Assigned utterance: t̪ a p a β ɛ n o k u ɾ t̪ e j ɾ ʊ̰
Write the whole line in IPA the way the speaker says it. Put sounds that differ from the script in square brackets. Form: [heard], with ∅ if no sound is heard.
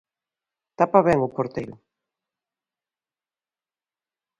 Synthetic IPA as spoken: t̪ a p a β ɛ [ŋ] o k [o] ɾ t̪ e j ɾ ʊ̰